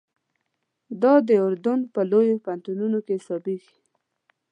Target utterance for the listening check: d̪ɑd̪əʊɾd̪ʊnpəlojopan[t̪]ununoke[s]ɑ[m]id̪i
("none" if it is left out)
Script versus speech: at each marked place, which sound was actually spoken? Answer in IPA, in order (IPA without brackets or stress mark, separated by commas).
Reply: t̪, s, b